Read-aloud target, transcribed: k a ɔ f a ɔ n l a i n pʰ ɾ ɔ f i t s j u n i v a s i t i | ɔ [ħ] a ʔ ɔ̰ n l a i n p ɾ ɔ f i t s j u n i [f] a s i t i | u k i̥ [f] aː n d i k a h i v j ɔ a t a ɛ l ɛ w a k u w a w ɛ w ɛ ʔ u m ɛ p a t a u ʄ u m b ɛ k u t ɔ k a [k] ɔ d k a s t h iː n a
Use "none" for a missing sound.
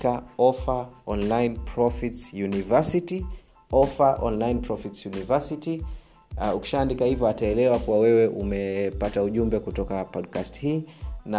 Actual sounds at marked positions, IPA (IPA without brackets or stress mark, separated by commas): f, v, ʃ, p